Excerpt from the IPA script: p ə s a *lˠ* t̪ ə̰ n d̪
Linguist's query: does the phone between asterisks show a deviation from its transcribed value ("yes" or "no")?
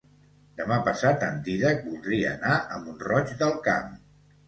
yes